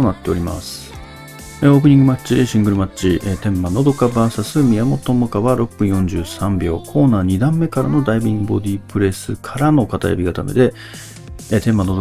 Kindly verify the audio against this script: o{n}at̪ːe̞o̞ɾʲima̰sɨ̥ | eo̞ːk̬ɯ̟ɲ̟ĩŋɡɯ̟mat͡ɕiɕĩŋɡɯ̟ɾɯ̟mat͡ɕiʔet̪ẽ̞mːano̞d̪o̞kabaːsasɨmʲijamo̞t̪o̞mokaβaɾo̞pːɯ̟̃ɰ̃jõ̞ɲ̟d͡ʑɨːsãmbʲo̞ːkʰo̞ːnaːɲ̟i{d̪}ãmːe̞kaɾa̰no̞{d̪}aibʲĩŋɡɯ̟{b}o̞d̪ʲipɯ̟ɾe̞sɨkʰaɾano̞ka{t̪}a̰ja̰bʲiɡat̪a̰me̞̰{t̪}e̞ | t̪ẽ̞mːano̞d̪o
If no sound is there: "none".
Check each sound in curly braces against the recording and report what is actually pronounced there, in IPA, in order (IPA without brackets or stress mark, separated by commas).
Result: n, d̪, d̪, b, t̪, d̪